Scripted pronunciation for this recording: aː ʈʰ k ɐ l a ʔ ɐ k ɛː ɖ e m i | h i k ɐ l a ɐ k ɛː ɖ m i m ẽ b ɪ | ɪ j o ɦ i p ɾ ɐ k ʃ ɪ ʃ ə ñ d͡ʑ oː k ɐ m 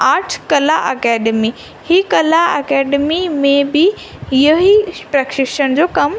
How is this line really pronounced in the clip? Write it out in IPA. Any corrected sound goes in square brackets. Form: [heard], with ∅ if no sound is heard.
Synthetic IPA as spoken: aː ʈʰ k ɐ l a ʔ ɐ k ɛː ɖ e m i | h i k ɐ l a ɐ k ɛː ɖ m i m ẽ b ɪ | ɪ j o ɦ i p ɾ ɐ k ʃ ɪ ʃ ə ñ d͡ʑ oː k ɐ m